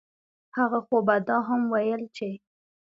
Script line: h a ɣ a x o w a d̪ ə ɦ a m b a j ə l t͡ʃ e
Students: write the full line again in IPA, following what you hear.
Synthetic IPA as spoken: h a ɣ a x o b a d̪ ɑ ɦ a m w a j ə l t͡ʃ e

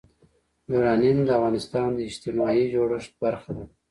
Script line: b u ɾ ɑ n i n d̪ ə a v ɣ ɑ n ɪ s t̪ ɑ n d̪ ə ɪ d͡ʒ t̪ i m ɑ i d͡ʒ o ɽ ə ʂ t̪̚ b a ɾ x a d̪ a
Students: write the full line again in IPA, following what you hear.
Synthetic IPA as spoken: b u ɾ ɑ n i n d̪ ə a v ɣ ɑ n ɪ s t̪ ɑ n d̪ ə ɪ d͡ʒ t̪ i m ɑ i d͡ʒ o ɽ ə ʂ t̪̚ b a ɾ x a d̪ a

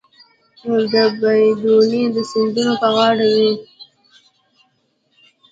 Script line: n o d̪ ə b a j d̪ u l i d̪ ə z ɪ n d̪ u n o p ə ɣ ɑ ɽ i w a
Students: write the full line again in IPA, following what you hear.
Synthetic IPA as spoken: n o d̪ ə b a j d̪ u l i d̪ ə s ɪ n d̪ u n o p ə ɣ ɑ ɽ a w i

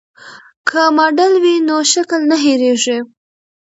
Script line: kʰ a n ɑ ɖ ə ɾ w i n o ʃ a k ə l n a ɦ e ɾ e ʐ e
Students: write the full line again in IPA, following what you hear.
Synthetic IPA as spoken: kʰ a m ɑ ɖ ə l w i n o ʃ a k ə l n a ɦ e ɾ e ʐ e

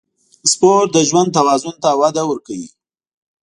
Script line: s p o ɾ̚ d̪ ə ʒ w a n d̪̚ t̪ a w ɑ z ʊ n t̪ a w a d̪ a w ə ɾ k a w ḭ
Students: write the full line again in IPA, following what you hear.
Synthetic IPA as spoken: s p o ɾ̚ d̪ ə ʒ w a n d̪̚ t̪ a w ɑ z ʊ n t̪ a w a d̪ a w ə ɾ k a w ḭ

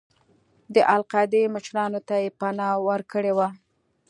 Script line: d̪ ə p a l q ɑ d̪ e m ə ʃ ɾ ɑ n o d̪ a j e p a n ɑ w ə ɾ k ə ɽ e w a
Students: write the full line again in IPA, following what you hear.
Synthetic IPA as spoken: d̪ ə ʔ a l q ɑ d̪ e m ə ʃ ɾ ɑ n o t̪ a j e p a n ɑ w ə ɾ k ə ɽ e w a

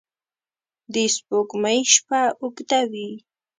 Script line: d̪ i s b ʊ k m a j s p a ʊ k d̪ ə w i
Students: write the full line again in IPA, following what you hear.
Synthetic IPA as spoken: d̪ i s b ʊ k m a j ʃ p a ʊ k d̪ a w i

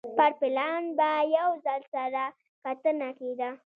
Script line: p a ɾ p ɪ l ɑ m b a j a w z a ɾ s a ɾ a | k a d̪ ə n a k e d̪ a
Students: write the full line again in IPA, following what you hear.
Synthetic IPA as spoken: p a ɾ p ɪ l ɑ n b a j a w z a l s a ɾ a | k a t̪ ə n a k e d̪ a

